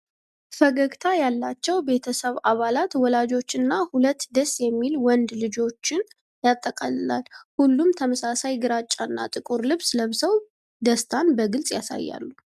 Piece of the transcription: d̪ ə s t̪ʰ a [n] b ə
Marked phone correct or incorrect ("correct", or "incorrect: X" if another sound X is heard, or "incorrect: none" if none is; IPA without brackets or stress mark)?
correct